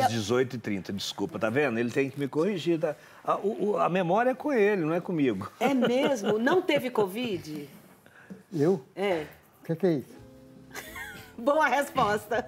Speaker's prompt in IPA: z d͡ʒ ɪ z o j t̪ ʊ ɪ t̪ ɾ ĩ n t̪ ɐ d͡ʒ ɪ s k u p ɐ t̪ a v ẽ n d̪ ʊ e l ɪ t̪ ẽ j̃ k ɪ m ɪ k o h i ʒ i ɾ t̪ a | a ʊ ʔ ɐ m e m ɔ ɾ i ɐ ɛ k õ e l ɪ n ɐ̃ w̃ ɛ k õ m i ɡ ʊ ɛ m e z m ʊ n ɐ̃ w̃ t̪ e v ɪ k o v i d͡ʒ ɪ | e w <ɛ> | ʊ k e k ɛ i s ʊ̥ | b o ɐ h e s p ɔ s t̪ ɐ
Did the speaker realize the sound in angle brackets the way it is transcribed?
yes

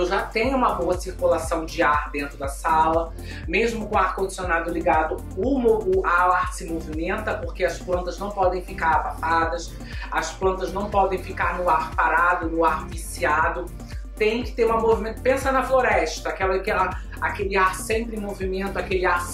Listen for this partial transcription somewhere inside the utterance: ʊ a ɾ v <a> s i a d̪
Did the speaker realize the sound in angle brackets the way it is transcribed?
no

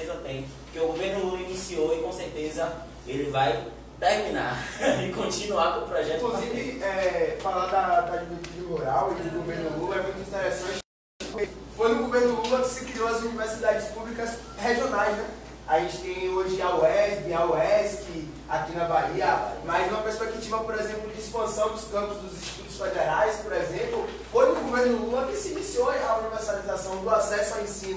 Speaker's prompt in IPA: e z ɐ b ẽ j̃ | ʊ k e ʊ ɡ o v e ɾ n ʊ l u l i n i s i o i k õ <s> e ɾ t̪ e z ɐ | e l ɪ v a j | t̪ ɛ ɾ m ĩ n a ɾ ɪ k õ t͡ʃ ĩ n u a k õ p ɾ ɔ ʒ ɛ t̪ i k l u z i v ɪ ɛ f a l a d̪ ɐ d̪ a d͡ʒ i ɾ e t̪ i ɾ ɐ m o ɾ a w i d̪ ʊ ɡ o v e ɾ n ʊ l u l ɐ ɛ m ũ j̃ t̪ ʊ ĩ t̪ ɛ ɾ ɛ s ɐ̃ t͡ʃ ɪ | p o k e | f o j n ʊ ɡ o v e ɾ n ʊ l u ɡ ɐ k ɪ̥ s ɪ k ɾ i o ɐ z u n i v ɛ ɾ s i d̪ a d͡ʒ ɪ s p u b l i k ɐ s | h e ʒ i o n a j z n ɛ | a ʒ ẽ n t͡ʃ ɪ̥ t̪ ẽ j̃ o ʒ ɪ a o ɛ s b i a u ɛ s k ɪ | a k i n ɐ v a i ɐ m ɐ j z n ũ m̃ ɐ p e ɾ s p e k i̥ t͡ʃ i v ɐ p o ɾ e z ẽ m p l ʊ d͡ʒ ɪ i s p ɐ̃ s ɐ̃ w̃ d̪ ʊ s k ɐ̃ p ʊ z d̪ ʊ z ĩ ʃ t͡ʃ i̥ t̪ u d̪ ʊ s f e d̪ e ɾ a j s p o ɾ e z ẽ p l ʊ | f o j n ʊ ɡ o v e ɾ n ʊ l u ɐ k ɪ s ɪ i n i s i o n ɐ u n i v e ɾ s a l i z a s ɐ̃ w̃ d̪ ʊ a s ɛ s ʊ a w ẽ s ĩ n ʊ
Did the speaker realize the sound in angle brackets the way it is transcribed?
yes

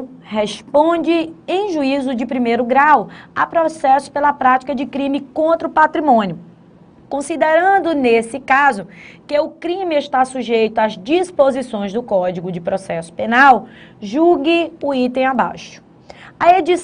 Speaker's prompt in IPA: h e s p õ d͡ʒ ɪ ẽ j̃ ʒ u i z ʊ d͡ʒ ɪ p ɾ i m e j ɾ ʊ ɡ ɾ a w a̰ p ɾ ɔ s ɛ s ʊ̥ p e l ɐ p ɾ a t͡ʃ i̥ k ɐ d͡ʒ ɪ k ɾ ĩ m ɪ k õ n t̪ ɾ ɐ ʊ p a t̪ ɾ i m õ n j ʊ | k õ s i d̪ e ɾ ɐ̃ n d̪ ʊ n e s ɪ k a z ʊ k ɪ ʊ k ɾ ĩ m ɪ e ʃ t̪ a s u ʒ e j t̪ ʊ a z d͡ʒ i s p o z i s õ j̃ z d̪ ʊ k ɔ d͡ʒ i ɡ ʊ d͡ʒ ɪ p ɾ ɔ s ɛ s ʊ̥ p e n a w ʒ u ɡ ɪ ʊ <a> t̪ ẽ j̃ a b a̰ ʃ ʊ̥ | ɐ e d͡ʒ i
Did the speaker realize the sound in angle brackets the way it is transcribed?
no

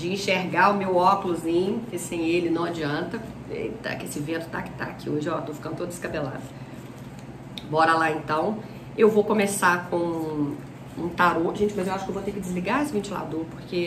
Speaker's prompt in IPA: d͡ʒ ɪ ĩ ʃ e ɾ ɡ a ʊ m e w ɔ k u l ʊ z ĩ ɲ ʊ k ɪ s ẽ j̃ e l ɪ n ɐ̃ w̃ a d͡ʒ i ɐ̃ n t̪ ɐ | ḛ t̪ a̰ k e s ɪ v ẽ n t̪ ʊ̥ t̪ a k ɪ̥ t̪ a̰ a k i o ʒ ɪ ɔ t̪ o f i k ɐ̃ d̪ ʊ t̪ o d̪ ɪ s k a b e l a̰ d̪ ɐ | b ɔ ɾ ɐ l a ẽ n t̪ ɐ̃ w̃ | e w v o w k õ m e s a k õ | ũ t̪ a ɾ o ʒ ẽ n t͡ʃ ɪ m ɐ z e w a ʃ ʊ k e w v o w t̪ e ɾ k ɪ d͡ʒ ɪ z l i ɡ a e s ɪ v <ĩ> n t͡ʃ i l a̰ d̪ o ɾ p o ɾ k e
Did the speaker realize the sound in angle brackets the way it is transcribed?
no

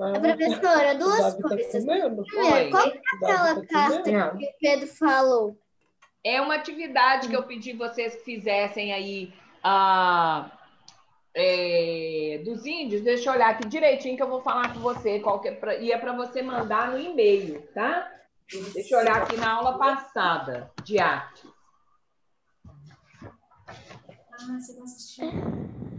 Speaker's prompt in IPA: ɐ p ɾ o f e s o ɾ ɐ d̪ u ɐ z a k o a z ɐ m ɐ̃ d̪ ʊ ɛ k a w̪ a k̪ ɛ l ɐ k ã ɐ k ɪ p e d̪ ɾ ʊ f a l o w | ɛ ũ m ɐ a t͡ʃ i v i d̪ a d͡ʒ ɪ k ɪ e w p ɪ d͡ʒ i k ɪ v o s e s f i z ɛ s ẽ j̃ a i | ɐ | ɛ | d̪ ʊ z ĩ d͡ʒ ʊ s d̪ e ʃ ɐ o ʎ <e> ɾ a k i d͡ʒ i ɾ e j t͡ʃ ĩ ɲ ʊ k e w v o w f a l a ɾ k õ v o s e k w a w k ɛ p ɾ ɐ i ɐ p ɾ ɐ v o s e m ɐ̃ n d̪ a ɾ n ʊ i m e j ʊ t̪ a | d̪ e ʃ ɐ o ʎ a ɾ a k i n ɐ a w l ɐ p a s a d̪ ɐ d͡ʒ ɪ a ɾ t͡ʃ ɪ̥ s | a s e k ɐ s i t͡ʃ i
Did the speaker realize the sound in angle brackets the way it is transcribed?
no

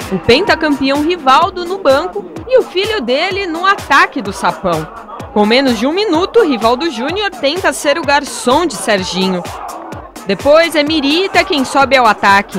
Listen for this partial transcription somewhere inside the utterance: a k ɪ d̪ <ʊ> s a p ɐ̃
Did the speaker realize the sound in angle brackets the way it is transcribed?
yes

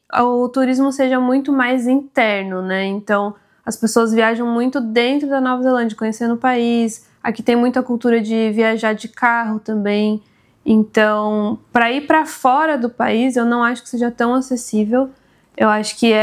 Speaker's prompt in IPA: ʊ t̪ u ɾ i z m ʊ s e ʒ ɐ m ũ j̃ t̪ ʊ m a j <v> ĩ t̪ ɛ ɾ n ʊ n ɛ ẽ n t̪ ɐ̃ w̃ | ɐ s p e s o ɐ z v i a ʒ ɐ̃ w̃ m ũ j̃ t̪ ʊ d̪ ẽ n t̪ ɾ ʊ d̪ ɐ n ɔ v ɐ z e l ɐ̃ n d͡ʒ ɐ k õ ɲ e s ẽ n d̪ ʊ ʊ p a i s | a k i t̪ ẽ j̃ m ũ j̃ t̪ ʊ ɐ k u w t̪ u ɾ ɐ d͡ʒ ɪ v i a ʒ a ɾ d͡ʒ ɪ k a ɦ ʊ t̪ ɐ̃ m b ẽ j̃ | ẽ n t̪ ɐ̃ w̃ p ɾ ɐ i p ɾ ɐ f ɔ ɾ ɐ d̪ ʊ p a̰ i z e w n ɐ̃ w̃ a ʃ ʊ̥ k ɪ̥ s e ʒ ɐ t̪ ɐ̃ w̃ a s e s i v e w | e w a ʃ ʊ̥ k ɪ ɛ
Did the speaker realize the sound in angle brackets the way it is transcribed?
no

